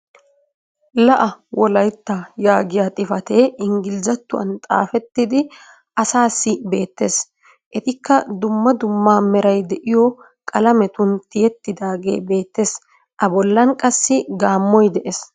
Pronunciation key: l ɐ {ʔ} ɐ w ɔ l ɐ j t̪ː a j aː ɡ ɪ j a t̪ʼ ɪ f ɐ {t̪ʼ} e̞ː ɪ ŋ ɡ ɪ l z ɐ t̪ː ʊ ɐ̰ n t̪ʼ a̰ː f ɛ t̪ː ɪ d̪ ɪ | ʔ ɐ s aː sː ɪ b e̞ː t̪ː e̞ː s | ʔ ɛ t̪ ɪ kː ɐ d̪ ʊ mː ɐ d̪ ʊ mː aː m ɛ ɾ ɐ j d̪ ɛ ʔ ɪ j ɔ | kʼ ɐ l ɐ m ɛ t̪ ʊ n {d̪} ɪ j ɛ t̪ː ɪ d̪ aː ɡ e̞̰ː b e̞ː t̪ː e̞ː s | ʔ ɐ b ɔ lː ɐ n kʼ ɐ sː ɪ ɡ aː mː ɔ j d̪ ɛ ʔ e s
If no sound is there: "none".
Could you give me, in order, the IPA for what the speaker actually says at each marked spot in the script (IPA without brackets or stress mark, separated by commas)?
ʔ, t̪, t̪